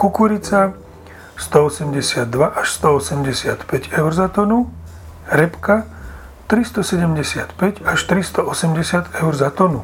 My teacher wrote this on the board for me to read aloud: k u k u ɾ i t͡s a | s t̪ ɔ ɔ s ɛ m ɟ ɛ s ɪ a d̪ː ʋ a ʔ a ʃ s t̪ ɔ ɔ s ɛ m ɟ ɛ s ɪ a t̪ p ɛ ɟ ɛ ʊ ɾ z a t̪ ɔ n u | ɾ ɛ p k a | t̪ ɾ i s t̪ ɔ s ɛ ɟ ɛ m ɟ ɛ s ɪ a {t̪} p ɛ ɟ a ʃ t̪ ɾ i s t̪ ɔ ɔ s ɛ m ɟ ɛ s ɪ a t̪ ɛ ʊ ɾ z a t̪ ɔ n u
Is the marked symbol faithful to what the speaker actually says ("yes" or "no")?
yes